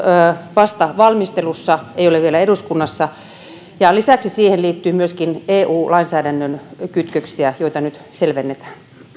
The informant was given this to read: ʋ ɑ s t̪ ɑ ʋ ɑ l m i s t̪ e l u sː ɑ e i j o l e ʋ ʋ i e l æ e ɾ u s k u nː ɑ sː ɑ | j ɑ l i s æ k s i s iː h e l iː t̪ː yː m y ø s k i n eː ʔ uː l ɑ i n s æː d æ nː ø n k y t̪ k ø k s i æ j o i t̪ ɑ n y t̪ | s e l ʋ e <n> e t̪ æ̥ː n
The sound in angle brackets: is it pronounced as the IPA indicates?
no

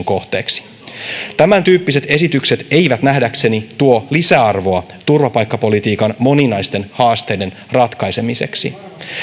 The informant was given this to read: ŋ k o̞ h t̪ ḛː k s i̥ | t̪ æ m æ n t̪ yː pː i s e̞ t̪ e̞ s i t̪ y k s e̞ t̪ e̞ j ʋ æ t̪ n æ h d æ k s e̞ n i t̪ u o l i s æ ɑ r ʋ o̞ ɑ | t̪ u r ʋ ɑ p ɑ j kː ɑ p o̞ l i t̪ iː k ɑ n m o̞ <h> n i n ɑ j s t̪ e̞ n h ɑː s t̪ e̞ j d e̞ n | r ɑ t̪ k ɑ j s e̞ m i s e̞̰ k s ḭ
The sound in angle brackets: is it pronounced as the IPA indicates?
no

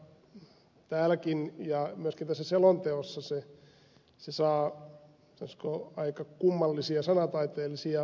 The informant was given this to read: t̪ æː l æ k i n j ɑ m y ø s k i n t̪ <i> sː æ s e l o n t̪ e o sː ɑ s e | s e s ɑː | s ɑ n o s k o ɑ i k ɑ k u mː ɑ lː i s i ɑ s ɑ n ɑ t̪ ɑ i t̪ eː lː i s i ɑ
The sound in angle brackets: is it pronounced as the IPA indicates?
no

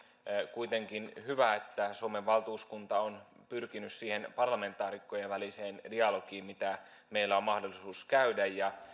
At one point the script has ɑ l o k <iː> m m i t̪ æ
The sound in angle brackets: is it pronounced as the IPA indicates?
yes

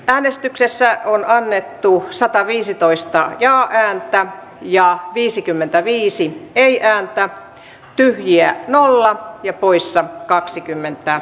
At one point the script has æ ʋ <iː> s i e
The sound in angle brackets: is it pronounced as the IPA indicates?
yes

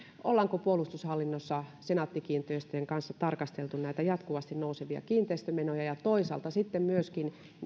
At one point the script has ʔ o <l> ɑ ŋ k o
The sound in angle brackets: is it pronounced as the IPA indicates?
no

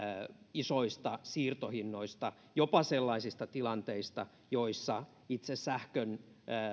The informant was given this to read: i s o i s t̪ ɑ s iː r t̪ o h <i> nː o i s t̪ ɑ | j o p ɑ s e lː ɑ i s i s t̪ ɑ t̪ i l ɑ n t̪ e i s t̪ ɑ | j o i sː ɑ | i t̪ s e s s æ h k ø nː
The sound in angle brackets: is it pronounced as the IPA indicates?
yes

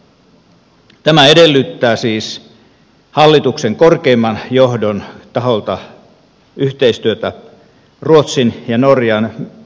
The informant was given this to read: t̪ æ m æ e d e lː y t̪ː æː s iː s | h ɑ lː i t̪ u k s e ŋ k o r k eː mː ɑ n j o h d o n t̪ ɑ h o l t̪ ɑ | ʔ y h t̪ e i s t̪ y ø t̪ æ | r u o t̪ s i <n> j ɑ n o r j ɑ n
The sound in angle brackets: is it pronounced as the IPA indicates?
yes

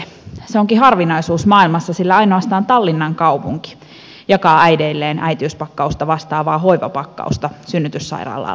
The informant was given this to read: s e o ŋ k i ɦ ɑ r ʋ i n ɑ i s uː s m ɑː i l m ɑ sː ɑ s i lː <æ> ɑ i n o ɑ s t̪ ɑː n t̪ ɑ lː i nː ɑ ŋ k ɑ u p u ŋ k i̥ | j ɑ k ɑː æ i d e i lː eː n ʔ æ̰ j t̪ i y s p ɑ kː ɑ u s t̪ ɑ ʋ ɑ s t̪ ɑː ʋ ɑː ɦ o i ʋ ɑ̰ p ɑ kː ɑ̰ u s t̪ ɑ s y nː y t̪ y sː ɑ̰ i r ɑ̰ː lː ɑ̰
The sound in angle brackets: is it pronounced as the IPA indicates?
yes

